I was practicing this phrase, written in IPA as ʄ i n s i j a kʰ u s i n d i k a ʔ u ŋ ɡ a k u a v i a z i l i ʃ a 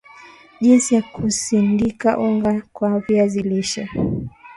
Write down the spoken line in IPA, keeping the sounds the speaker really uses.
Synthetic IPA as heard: ʄ i n s i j a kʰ u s i n d i k a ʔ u ŋ ɡ a k w a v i a z i l i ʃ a